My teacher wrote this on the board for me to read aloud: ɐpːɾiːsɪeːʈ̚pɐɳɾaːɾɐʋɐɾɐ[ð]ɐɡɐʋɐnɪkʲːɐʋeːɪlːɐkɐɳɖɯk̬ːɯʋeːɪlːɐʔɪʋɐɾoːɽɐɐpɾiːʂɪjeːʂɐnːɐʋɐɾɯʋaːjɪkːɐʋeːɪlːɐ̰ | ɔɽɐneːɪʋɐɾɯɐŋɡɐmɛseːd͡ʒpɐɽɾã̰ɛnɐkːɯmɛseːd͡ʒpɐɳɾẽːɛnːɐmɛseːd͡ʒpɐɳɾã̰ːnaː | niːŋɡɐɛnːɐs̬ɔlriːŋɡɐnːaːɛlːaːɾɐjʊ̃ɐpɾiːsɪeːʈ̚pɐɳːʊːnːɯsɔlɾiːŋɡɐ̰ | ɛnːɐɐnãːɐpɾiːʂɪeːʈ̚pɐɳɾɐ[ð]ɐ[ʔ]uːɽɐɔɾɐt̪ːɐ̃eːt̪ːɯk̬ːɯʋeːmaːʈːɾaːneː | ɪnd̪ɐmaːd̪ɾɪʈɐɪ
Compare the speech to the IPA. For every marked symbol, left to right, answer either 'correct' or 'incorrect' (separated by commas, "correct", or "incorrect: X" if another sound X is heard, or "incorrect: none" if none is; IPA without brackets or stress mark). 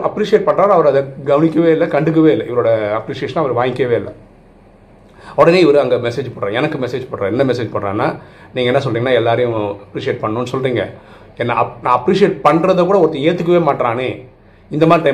correct, correct, incorrect: k